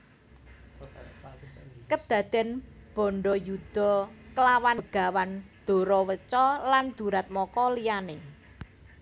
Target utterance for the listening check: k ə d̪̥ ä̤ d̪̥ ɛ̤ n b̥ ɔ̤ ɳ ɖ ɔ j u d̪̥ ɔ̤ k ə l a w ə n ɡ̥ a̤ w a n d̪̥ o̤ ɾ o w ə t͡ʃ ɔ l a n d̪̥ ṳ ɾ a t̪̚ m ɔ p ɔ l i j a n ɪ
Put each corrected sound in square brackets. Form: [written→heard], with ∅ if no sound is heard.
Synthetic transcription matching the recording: k ə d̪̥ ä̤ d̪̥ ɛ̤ n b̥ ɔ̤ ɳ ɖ ɔ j u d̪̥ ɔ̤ k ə l a w [ə→a] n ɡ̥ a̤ w a n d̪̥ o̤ ɾ [o→ɔ] w ə t͡ʃ ɔ l a n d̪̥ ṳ ɾ a t̪̚ m ɔ [p→k] ɔ l i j a n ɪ